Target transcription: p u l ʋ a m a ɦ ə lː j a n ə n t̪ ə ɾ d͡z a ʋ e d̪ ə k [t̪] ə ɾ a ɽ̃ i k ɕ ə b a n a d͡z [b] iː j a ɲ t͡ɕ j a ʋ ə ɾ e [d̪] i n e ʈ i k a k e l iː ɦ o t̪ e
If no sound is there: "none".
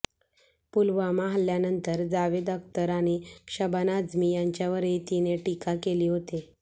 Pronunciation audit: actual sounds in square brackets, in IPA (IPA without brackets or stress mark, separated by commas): t̪, m, t̪